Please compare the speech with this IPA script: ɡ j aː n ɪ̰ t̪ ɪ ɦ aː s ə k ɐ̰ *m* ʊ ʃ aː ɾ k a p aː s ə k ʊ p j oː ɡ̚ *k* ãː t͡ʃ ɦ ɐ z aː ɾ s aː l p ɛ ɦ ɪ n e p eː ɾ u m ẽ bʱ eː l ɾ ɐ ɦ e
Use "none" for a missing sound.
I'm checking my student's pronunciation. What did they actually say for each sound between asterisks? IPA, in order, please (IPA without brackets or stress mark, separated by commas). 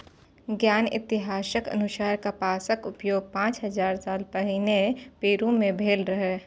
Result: n, p